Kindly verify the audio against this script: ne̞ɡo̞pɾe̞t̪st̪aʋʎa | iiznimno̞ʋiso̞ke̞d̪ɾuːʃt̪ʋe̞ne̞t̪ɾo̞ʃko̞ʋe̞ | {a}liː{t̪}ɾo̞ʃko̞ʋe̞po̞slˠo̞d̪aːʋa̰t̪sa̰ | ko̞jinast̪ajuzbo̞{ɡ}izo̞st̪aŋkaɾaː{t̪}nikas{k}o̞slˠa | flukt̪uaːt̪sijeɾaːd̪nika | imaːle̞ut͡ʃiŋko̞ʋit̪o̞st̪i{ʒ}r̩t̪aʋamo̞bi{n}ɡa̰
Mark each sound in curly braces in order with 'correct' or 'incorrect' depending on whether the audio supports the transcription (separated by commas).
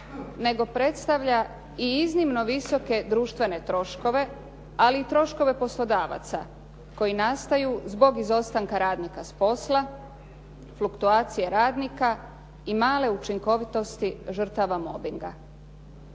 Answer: correct, correct, correct, incorrect, incorrect, correct, incorrect